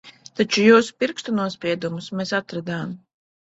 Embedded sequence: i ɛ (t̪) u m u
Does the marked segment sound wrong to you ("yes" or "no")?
yes